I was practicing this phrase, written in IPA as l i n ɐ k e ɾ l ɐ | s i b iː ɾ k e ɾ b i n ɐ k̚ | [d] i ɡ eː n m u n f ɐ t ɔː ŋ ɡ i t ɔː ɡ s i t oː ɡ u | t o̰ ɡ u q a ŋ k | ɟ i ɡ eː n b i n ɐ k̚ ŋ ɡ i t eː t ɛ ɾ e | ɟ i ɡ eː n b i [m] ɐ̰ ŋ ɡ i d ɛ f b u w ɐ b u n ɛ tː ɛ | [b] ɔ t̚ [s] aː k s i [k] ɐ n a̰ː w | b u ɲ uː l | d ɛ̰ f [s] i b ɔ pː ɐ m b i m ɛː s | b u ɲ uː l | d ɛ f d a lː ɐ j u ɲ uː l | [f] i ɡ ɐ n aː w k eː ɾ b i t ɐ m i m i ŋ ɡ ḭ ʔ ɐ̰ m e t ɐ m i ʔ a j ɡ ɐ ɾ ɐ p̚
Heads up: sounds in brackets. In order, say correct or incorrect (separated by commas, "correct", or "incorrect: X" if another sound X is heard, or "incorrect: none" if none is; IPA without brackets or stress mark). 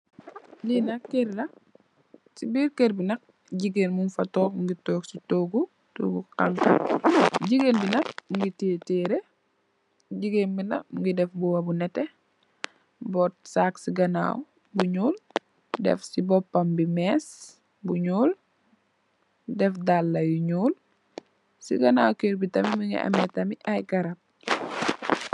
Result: incorrect: ɟ, incorrect: n, correct, correct, incorrect: ɡ, correct, incorrect: s